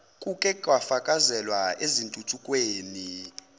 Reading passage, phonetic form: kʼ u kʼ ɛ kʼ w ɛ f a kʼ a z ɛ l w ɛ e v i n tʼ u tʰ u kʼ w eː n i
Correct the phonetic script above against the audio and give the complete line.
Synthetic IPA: kʼ u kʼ ɛ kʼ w a f a kʼ a z ɛ l w a e z i n tʼ u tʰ u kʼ w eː n i